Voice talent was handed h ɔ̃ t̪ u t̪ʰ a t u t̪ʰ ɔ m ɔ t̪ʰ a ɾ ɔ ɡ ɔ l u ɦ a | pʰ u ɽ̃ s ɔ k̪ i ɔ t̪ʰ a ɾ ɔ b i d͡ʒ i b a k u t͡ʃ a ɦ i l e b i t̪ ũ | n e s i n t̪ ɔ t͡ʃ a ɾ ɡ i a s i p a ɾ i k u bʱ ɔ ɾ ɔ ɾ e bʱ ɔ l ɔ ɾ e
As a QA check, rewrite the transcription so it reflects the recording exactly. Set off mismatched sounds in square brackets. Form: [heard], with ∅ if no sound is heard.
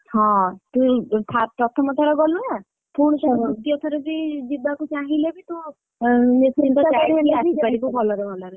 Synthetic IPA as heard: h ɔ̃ t̪ u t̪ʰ a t [ɔ] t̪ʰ ɔ m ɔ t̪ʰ a ɾ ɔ ɡ ɔ l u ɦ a | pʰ u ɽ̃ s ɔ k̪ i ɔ t̪ʰ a ɾ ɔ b i d͡ʒ i b a k u t͡ʃ a ɦ i l e b i t̪ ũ | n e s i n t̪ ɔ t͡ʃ a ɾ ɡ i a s i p a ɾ i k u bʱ ɔ [l] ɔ ɾ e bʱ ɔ l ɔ ɾ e